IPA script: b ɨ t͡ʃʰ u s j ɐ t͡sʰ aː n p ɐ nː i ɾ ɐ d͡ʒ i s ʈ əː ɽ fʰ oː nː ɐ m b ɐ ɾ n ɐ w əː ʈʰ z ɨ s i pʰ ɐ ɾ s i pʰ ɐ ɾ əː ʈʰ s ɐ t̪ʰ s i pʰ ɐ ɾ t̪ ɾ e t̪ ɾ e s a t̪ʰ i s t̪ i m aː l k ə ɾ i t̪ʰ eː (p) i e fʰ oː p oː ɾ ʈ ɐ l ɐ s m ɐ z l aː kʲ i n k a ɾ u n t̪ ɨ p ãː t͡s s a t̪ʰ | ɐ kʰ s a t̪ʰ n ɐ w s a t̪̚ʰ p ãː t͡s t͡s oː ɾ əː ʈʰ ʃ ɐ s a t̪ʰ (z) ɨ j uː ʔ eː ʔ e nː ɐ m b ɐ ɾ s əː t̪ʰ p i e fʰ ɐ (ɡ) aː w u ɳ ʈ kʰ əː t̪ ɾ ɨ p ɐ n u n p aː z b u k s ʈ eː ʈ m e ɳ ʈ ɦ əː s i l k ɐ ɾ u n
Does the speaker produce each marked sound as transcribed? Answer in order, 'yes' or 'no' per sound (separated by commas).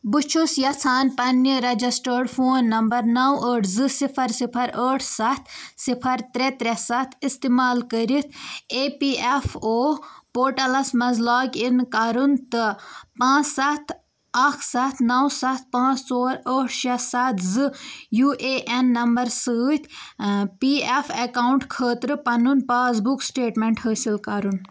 yes, yes, no